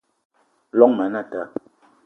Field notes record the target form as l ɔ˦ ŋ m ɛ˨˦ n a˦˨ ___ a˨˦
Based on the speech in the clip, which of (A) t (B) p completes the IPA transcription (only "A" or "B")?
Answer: A